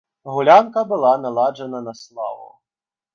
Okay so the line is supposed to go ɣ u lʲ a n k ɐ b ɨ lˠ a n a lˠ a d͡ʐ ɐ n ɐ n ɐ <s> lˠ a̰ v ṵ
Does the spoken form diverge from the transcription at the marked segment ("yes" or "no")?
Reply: no